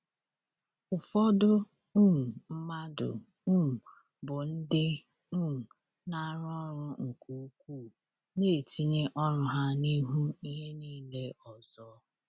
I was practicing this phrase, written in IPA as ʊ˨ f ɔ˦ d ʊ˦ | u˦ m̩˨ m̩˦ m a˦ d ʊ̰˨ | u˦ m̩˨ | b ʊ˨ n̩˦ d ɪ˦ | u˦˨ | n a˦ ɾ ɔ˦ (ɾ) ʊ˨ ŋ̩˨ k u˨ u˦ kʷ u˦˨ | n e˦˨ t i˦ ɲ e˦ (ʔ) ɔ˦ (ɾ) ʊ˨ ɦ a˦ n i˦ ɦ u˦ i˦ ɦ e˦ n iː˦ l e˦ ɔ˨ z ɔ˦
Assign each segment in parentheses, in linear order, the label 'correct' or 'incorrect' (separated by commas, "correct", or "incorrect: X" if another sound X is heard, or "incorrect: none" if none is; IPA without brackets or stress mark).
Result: correct, correct, correct